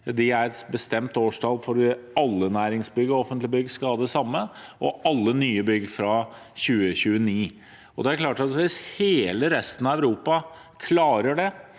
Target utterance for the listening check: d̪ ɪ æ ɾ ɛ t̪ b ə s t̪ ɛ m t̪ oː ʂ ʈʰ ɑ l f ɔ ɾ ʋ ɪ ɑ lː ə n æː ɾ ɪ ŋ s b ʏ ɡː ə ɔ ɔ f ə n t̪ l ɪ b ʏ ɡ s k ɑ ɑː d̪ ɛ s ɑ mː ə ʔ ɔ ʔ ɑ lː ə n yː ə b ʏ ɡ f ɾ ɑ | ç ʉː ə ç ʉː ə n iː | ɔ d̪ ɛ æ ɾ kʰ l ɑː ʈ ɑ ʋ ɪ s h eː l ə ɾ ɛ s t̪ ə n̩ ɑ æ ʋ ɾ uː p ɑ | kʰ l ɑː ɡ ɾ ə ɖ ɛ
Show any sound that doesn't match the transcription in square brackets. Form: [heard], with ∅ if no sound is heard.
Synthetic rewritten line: d̪ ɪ æ ɾ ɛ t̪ b ə s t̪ ɛ m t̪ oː ʂ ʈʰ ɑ l f ɔ ɾ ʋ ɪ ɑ lː ə n æː ɾ ɪ ŋ s b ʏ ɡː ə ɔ ɔ f ə n t̪ l ɪ b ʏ ɡ s k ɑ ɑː d̪ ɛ s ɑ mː ə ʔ ɔ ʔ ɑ lː ə n yː ə b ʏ ɡ f ɾ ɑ | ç ʉː ə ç ʉː ə n iː | ɔ d̪ ɛ æ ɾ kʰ l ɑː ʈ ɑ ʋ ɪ s h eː l ə ɾ ɛ s t̪ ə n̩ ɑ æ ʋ ɾ uː p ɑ | kʰ l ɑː [∅] ɾ ə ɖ ɛ